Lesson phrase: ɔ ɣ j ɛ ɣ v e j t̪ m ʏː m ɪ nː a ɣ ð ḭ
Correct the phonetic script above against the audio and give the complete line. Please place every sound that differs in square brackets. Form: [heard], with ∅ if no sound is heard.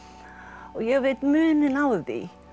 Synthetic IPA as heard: ɔ ɣ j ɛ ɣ v e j t̪ m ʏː [n] ɪ [n] a [w] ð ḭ